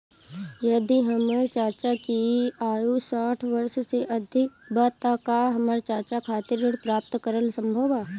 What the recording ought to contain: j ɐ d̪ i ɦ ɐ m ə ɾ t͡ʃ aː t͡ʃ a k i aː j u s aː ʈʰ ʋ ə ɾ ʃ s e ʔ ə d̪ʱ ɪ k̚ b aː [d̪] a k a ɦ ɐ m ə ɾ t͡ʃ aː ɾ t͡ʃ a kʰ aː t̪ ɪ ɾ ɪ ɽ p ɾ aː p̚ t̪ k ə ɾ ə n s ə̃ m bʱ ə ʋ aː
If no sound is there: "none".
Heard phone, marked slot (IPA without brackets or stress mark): t̪